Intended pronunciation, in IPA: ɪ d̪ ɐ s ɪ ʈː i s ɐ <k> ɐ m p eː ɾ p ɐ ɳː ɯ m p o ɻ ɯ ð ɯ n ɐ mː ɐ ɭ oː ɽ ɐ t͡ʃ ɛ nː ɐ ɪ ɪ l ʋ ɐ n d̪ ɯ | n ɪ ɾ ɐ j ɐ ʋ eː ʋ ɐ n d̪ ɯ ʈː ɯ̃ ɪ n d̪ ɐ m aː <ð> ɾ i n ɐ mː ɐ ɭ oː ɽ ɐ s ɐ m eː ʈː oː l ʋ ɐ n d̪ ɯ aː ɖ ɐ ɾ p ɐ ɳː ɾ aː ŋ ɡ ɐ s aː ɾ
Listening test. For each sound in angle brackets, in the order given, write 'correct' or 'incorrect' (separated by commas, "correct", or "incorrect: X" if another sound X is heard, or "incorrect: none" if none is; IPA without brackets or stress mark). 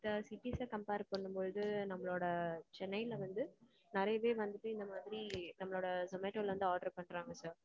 correct, correct